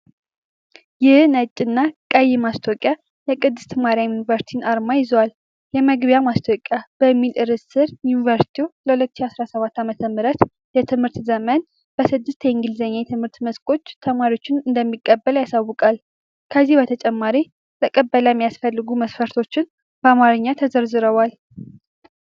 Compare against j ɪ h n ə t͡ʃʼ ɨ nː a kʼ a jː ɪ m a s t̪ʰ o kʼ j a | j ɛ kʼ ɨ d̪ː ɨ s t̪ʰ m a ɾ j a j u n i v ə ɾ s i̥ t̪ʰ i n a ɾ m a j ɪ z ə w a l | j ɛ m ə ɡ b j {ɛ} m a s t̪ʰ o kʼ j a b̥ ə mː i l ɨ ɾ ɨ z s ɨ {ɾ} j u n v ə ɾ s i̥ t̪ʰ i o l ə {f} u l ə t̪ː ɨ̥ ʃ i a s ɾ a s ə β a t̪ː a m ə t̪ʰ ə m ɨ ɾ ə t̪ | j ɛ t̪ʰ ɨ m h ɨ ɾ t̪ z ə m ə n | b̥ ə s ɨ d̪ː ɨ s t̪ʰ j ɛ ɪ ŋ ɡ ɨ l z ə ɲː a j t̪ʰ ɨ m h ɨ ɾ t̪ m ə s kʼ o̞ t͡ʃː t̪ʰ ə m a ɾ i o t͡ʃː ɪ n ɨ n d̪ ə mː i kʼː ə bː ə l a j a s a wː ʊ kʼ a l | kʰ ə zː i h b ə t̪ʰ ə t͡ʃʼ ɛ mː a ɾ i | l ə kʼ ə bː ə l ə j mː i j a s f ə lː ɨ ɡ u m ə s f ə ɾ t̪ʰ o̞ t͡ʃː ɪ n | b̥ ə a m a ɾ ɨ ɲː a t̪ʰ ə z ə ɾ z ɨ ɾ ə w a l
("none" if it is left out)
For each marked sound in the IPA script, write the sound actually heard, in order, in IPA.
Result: a, ɾ, h

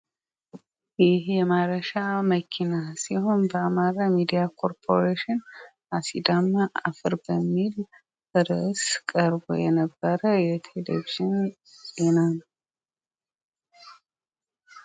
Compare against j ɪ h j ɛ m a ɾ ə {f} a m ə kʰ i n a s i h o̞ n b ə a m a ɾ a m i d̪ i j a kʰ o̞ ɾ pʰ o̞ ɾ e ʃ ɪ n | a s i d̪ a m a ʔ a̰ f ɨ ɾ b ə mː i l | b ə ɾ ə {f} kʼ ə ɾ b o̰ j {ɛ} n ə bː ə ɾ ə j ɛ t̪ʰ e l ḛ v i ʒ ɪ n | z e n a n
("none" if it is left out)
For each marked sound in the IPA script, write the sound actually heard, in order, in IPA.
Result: ʃ, s, ɛ

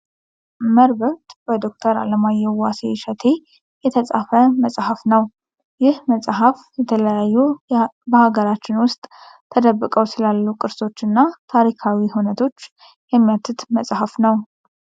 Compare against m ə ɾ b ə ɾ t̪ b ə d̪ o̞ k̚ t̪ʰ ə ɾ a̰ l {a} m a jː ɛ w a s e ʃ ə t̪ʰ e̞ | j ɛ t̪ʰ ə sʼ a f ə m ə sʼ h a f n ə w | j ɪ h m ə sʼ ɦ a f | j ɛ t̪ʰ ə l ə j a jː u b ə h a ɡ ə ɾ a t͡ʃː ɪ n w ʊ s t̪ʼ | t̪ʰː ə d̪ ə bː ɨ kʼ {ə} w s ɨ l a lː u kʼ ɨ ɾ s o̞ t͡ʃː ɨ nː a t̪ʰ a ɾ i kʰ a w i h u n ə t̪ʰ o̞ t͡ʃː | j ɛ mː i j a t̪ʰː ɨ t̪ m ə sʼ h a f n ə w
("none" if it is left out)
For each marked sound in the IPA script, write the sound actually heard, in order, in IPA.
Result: ə, ə

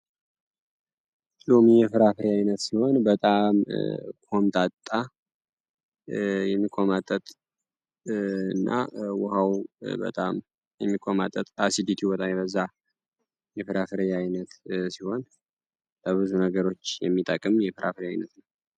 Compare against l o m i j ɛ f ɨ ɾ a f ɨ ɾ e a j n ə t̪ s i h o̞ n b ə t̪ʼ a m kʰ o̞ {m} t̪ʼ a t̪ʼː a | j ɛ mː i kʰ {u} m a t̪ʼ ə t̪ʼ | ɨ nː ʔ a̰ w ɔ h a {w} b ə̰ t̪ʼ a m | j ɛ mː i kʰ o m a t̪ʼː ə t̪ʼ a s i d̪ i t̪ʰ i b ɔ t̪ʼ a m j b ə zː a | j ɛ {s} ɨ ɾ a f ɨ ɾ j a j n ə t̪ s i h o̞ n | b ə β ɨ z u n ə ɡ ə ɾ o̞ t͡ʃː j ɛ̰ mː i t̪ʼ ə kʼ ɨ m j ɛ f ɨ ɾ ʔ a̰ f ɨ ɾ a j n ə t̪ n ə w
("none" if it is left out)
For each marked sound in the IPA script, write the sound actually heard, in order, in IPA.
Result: m, o, w, f

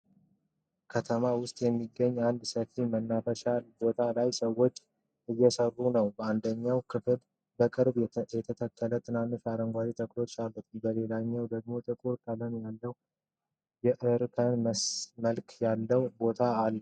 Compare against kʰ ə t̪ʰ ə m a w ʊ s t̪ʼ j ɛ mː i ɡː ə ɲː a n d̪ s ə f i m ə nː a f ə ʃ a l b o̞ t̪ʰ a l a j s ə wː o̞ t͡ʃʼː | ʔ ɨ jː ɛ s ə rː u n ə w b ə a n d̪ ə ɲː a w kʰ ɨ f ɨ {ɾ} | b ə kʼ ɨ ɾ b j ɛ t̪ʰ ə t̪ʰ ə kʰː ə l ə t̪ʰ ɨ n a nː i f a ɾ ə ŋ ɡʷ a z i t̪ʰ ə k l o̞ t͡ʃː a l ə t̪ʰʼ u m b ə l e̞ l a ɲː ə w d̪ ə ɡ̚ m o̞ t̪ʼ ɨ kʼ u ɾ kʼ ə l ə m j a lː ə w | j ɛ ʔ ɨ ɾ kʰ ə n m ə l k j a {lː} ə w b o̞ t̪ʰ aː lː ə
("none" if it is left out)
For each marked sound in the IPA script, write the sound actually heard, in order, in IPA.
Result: l, lː

